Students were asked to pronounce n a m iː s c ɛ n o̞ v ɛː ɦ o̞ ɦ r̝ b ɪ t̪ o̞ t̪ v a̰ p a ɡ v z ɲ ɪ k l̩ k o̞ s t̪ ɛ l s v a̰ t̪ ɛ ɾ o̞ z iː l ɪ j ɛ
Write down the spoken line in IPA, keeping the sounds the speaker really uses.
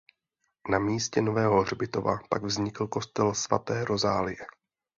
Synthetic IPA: n a m iː s c ɛ n o̞ v ɛː ɦ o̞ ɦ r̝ b ɪ t̪ o̞ v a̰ p a ɡ v z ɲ ɪ k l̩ k o̞ s t̪ ɛ l s v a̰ t̪ ɛː ɾ o̞ z aː l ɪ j ɛ